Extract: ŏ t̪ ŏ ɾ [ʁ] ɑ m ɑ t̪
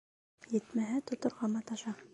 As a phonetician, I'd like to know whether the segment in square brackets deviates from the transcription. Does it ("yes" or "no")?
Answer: no